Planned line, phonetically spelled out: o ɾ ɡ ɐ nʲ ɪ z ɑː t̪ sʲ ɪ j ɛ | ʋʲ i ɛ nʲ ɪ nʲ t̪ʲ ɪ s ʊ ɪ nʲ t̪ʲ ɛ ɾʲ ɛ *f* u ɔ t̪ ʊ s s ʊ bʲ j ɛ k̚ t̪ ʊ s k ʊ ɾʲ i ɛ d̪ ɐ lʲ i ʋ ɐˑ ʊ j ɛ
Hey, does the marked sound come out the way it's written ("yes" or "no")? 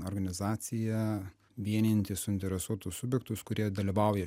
no